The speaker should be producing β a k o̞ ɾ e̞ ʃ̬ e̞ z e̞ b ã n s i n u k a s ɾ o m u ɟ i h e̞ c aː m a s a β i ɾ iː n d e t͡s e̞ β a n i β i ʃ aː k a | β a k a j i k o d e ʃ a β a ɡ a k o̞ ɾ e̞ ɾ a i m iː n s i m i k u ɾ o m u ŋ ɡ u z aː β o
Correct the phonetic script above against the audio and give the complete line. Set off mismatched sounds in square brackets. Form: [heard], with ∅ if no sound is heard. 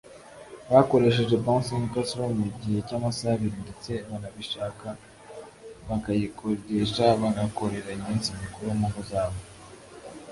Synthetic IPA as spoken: β a k o̞ ɾ e̞ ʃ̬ e̞ [ʒ] e̞ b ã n s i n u k a s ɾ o m u ɟ i h e̞ c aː m a s a β i ɾ [i] n d e t͡s e̞ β a n [a] β i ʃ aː k a | β a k a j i k o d e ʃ a β a ɡ a k o̞ ɾ e̞ ɾ a i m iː n s i m i k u ɾ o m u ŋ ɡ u z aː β o